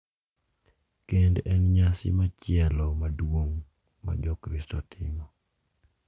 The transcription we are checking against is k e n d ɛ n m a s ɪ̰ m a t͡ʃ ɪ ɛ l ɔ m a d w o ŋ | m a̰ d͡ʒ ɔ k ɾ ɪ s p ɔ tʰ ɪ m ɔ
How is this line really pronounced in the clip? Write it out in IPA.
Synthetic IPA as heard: k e n d ɛ n ɲ a s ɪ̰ m a t͡ʃ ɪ ɛ l ɔ m a d w o ŋ | m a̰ d͡ʒ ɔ k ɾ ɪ s t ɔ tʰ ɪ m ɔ